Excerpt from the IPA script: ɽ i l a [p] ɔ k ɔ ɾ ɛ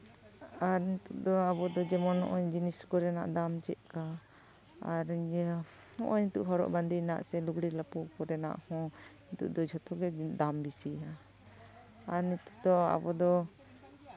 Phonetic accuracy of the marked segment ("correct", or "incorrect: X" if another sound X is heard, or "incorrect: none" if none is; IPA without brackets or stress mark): correct